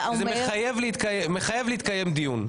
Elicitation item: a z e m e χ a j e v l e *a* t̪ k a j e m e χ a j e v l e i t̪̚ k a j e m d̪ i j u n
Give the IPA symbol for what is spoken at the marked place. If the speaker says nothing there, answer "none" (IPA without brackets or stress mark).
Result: i